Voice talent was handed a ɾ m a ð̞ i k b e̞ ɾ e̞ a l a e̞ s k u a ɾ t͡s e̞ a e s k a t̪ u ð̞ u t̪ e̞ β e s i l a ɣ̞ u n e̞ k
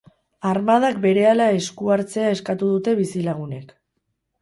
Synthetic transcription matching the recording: a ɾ m a ð̞ a k b e̞ ɾ e̞ a l a e̞ s k u a ɾ t͡s e̞ a e s k a t̪ u ð̞ u t̪ e̞ β i s i l a ɣ̞ u n e̞ k